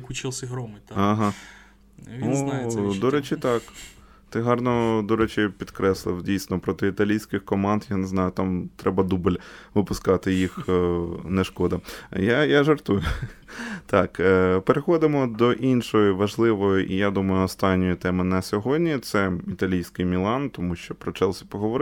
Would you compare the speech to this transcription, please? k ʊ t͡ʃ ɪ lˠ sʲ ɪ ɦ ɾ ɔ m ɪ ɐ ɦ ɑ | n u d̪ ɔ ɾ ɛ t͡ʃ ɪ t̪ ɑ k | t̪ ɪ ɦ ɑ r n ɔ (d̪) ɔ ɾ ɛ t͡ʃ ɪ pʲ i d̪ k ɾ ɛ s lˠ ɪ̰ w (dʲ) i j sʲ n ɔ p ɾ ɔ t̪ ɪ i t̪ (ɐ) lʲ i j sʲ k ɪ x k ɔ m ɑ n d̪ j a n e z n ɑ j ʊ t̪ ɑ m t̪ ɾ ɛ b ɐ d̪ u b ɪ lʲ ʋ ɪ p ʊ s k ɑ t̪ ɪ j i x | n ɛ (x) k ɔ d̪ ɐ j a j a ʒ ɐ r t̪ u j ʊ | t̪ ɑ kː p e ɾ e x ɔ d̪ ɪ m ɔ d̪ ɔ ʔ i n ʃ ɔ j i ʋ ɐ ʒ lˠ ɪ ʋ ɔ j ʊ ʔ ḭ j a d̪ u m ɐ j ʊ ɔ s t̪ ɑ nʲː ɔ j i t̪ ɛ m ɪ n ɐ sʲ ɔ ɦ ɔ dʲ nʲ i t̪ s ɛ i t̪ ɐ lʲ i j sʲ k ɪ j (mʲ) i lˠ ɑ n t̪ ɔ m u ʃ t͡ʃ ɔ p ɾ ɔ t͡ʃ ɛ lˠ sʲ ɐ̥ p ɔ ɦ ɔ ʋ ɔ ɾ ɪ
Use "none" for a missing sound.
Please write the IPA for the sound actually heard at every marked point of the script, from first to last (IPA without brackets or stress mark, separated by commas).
d̪, dʲ, ɐ, ʃ, mʲ